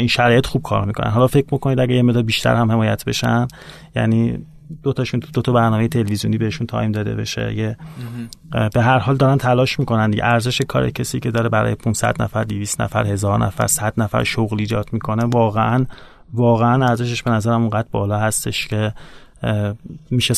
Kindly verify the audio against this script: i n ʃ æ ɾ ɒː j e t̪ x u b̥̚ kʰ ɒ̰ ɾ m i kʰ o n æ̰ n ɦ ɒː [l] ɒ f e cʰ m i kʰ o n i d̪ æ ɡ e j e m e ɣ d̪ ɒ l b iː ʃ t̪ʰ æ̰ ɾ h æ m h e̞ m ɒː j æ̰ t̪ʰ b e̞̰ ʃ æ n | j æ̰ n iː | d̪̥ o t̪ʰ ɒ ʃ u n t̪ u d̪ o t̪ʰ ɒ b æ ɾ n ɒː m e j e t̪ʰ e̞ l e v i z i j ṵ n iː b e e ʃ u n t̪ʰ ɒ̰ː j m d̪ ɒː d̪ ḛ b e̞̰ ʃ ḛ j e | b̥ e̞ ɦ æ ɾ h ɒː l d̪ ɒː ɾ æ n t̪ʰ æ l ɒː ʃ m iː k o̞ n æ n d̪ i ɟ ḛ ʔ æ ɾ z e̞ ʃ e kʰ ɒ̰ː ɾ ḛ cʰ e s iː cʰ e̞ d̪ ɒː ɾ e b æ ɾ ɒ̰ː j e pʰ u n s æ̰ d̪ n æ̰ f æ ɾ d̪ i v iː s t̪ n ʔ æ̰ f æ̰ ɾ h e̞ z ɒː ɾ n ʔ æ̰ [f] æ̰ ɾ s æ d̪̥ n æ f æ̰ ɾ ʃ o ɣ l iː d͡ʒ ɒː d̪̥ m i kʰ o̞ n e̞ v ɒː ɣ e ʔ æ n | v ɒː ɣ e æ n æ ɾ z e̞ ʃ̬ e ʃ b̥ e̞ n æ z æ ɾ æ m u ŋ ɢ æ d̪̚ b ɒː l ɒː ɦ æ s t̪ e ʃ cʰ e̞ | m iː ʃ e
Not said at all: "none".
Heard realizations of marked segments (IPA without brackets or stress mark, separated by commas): l, f